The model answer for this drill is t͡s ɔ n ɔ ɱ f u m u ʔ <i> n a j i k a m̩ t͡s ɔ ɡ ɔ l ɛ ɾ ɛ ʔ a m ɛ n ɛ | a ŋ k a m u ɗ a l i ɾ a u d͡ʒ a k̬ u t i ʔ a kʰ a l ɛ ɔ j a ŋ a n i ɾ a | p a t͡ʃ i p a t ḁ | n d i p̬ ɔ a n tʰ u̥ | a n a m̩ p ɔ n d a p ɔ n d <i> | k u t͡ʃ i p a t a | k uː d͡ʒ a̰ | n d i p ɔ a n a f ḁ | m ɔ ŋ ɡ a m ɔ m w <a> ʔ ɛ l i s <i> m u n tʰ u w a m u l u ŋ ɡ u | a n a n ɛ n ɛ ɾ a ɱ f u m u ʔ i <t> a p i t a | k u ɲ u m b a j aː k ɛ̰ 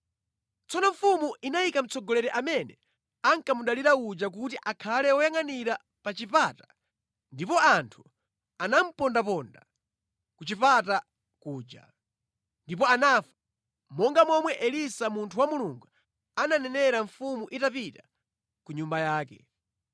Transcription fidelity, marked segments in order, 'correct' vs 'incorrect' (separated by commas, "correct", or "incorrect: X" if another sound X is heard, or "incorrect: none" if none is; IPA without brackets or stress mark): correct, incorrect: a, incorrect: ɛ, incorrect: a, correct